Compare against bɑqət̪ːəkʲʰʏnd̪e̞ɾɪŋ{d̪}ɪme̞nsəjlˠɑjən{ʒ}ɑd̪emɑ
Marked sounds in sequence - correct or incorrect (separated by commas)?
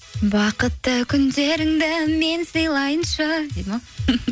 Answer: correct, incorrect